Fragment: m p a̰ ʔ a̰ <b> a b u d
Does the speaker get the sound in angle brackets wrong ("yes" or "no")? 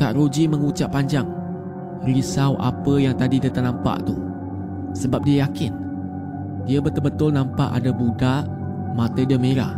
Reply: yes